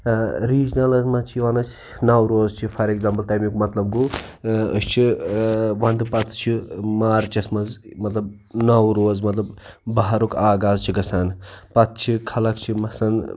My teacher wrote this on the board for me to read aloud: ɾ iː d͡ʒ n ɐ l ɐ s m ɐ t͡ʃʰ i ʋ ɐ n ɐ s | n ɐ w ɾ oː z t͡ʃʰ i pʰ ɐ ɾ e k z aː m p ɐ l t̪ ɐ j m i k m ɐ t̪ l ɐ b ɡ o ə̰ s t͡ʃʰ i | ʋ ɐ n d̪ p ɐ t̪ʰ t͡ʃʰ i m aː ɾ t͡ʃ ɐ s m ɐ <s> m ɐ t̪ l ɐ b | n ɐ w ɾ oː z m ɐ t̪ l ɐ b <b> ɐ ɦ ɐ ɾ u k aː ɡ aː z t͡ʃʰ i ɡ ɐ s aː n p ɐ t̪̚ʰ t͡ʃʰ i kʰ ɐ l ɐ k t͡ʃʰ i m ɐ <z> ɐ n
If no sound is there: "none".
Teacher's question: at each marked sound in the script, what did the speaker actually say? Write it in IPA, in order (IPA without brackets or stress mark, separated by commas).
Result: z, b, s